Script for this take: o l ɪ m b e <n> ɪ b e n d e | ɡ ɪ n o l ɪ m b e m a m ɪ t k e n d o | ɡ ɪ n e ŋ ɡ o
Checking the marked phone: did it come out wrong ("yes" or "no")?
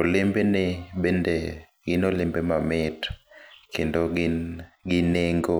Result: no